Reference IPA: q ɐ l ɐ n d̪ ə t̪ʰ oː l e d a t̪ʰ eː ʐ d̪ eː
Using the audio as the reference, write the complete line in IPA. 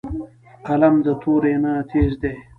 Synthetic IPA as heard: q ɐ l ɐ m d̪ ə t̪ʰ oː ɾ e n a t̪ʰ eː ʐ d̪ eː